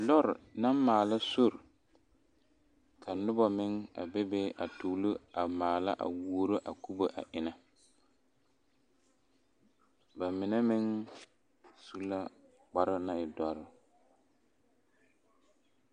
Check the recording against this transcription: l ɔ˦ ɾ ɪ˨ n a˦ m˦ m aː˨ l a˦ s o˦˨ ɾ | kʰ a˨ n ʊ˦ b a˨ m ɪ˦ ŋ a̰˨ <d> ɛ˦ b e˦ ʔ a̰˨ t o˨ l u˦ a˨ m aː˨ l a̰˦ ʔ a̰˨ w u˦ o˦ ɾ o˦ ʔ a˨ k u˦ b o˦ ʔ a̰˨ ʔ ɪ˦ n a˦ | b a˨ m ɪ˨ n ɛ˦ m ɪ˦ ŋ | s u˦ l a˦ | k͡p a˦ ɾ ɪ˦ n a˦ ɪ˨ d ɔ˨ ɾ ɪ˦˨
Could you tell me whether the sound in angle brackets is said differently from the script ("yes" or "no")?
yes